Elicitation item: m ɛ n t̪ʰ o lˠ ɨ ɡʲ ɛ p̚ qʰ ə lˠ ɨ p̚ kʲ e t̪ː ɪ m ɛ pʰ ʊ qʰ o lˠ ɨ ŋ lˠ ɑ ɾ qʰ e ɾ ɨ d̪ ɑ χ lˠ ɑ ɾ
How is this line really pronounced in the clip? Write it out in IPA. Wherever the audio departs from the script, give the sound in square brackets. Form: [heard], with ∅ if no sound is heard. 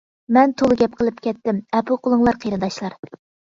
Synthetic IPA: m ɛ n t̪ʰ o lˠ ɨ ɡʲ ɛ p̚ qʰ ə lˠ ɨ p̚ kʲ [ɛ] t̪ː ɪ m ɛ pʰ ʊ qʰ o lˠ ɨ ŋ lˠ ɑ ɾ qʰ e ɾ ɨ d̪ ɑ [ʃ] lˠ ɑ ɾ